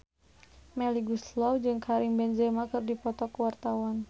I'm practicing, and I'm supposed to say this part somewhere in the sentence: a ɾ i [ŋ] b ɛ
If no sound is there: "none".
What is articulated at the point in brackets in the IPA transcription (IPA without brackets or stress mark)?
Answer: ŋ